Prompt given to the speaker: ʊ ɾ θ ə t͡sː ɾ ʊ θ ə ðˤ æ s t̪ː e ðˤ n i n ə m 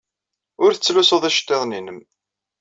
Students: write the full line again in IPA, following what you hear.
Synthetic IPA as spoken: ʊ ɾ θ ə t͡sː l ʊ s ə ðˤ æ ʃ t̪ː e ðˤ n i n ə m